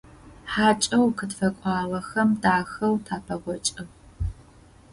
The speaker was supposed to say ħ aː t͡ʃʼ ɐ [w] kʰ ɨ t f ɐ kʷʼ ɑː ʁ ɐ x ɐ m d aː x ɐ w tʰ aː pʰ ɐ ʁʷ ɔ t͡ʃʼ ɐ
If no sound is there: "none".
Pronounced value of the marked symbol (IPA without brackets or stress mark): w